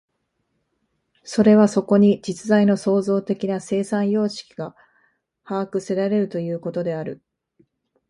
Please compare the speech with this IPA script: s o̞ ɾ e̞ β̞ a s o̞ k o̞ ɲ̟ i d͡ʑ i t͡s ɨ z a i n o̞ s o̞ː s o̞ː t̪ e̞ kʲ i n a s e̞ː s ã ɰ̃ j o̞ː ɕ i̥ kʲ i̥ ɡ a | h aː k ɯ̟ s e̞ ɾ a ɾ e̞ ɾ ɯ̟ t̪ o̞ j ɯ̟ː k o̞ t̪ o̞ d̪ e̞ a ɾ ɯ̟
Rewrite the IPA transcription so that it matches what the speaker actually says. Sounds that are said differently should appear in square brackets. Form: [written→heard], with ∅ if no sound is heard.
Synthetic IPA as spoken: s o̞ ɾ e̞ β̞ a s o̞ k o̞ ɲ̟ i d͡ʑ i t͡s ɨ z a i n o̞ s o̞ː [s→z] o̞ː t̪ e̞ kʲ i n a s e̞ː s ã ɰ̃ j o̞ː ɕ i̥ kʲ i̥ ɡ a | h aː k ɯ̟ s e̞ ɾ a ɾ e̞ ɾ ɯ̟ t̪ o̞ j ɯ̟ː k o̞ t̪ o̞ d̪ e̞ a ɾ ɯ̟